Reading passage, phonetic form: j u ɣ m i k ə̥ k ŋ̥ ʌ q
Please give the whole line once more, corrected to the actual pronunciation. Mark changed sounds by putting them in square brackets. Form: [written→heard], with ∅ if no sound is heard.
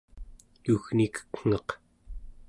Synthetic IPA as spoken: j u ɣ [m→n] i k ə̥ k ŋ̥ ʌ q